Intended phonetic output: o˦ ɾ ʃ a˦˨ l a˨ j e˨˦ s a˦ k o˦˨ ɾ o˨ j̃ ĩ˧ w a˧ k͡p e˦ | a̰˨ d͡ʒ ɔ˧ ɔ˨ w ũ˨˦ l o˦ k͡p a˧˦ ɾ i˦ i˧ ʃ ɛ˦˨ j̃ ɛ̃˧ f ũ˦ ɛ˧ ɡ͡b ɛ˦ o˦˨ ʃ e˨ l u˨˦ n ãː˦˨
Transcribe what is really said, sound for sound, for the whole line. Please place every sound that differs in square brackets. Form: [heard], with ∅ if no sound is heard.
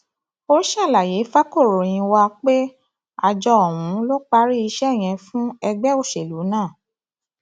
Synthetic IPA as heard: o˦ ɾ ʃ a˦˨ l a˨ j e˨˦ [f] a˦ k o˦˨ ɾ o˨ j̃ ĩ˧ w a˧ k͡p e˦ | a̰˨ d͡ʒ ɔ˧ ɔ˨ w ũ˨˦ l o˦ k͡p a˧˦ ɾ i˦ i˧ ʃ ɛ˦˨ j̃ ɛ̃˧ f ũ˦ ɛ˧ ɡ͡b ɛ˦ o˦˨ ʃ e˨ l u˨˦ n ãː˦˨